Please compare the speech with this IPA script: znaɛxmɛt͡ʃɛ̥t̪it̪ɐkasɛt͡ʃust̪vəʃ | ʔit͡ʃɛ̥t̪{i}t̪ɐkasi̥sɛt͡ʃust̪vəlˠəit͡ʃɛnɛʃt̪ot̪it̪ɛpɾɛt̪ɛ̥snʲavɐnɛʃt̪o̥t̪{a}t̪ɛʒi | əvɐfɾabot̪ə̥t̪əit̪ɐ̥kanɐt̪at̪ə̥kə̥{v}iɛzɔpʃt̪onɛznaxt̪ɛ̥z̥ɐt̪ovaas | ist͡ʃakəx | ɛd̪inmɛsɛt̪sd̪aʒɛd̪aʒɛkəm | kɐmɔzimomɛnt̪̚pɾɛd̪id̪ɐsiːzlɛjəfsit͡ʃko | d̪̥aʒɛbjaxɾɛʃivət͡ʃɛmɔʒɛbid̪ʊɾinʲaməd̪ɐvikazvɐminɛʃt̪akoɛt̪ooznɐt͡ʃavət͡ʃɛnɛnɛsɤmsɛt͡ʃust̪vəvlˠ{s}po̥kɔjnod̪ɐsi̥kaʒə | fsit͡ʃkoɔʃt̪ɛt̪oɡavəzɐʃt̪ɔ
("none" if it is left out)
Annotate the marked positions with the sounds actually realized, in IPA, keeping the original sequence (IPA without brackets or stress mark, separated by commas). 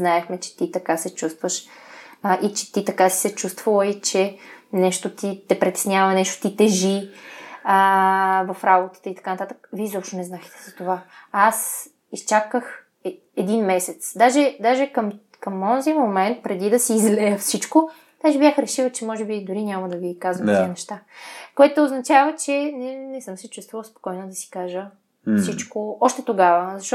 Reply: i, i, v, s